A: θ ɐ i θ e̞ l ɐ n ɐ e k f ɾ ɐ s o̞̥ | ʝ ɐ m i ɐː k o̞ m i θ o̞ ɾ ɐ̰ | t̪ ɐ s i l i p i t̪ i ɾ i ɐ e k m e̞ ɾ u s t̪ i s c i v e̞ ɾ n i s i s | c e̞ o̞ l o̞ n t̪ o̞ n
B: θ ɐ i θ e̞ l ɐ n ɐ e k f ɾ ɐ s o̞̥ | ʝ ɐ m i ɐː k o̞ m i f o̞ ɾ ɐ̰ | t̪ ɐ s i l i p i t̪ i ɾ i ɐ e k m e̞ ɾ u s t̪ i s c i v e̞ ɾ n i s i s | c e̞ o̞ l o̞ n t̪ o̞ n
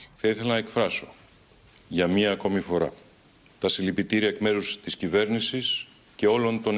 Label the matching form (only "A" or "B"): B